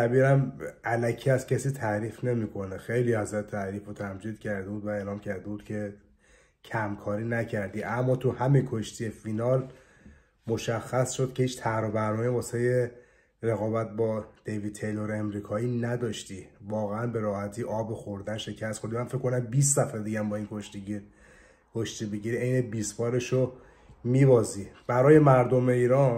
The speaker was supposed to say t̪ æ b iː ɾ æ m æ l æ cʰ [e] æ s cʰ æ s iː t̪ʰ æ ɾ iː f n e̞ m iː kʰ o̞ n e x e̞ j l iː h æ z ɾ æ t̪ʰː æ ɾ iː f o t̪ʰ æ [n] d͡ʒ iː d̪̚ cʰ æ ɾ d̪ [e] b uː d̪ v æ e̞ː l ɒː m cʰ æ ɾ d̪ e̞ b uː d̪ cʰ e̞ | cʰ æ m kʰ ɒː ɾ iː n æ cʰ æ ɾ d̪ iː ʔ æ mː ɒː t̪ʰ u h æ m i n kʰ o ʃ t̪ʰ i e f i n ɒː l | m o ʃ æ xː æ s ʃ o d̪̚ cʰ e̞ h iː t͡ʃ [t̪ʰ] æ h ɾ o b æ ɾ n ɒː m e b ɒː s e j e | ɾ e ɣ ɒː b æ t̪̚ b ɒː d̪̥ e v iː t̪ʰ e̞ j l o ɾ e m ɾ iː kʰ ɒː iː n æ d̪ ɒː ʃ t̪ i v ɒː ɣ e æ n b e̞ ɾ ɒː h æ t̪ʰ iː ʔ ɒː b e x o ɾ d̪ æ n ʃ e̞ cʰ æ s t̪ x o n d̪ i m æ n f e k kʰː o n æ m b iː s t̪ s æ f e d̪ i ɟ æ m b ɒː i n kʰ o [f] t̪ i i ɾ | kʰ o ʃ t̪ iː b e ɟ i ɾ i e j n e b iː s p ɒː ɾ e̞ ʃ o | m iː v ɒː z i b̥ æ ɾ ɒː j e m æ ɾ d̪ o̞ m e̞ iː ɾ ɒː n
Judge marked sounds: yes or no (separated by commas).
no, no, yes, yes, no